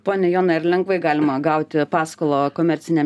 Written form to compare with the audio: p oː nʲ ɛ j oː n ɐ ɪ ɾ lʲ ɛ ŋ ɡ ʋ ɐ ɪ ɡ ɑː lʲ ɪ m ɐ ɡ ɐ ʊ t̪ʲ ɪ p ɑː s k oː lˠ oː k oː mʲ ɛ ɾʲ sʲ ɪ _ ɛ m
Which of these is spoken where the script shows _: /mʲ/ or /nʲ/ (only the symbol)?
nʲ